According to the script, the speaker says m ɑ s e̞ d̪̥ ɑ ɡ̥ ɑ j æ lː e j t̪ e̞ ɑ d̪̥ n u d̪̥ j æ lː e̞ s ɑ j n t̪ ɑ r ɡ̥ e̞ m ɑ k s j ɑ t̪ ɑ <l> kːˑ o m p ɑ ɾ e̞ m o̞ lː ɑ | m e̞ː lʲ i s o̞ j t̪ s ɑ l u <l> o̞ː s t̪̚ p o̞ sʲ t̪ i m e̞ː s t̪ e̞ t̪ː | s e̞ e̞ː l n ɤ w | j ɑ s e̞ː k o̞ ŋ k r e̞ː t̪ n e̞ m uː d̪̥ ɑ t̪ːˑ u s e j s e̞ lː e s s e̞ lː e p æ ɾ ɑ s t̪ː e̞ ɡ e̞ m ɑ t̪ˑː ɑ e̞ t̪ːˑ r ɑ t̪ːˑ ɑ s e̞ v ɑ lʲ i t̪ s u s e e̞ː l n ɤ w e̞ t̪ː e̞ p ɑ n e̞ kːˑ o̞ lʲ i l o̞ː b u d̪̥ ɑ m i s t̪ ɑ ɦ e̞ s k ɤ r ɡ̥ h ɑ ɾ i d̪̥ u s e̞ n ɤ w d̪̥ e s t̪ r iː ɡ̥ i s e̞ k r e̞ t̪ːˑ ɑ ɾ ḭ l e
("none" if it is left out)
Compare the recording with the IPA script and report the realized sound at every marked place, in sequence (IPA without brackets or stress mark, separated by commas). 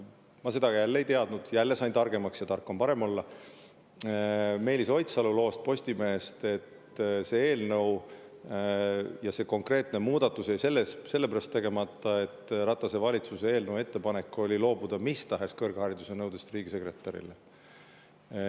r, l